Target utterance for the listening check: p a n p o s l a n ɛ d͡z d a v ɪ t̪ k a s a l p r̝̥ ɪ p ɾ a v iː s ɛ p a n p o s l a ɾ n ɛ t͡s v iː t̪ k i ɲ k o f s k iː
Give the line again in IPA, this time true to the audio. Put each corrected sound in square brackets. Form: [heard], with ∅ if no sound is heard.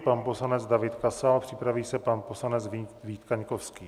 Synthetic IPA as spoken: p a n p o s l a n ɛ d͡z d a v ɪ t̪ k a s a l p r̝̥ ɪ p ɾ a v iː s ɛ p a n p o s l a [∅] n ɛ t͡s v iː t̪ k [a] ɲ k o f s k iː